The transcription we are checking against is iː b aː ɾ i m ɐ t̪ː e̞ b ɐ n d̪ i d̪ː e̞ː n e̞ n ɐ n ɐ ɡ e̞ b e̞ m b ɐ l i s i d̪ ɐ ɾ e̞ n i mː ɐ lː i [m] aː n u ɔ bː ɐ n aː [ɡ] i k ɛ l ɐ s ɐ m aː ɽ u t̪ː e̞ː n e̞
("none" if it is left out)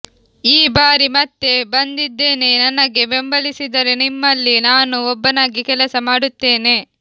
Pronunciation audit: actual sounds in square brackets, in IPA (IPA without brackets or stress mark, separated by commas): n, ɡ